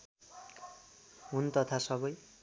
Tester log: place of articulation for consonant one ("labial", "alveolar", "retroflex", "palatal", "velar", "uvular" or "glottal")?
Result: glottal